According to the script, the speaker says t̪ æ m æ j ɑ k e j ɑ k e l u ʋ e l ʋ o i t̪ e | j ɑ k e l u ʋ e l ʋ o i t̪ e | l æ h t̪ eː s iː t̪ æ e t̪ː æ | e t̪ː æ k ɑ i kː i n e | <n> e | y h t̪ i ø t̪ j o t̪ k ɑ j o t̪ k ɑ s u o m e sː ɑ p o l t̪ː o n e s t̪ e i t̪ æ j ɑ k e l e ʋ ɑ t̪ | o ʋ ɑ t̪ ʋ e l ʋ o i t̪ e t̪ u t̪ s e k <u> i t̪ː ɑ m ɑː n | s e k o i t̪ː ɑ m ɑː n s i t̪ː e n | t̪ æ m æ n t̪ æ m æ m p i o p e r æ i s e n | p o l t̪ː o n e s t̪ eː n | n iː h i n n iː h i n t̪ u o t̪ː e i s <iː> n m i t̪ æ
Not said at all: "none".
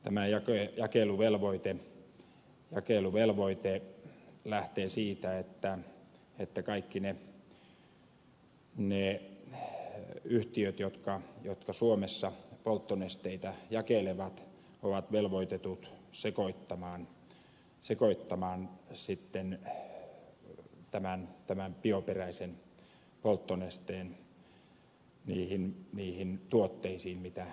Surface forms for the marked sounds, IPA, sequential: n, o, iː

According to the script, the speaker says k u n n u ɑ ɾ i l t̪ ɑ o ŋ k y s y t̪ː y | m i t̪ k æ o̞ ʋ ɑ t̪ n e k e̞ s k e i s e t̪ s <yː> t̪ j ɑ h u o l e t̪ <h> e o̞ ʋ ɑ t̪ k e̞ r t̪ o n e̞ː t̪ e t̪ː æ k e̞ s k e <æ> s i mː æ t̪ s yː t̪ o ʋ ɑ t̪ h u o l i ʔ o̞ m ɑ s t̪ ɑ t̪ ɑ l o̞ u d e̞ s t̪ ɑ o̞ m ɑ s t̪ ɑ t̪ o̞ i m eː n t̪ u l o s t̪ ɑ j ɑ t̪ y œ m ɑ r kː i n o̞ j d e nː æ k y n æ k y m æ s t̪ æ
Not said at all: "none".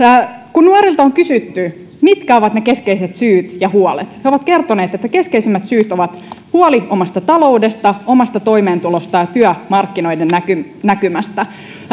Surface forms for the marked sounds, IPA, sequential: yː, h, i

